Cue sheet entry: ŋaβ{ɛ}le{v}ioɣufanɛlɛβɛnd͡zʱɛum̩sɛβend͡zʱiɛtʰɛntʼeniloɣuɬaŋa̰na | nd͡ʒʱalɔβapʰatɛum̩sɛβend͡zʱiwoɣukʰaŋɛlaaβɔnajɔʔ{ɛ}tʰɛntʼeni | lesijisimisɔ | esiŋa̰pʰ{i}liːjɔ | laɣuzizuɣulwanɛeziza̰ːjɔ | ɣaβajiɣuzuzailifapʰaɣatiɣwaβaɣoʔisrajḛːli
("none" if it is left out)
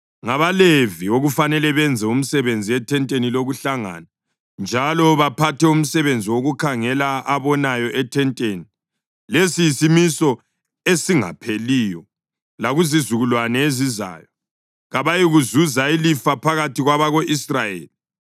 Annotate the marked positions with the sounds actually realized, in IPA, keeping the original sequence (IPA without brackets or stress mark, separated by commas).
a, v, ɛ, e